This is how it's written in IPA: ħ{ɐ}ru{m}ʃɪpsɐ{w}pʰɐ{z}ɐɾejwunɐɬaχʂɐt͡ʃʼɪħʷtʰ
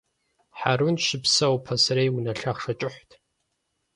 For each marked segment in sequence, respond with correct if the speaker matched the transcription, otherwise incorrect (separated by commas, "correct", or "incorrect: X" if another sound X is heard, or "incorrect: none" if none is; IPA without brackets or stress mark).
incorrect: a, incorrect: n, correct, incorrect: s